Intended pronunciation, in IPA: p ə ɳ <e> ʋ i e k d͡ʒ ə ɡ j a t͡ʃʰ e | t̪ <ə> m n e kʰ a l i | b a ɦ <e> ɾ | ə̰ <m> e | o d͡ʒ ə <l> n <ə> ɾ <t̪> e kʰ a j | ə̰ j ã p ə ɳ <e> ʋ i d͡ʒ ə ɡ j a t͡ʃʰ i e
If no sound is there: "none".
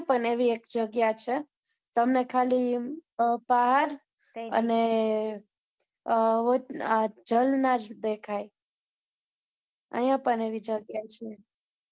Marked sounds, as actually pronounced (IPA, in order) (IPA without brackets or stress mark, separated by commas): e, ə, a, n, l, a, d̪, e